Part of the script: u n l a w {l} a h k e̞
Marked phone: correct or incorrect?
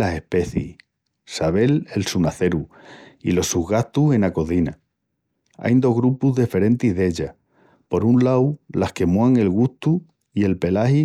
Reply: correct